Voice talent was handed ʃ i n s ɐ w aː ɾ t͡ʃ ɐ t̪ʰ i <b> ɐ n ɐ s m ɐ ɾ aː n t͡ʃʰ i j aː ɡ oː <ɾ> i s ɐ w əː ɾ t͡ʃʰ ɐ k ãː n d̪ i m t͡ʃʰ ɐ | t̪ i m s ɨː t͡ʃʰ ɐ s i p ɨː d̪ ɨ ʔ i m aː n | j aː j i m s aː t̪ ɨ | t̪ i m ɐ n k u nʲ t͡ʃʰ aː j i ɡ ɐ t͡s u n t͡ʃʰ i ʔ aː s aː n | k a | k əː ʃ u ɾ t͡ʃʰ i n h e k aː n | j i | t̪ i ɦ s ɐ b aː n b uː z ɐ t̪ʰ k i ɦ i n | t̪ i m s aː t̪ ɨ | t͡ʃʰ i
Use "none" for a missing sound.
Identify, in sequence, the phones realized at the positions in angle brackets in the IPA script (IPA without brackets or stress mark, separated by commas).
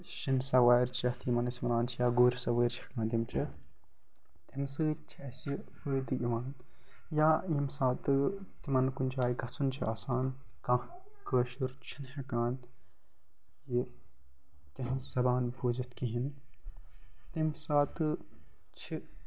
m, ɾ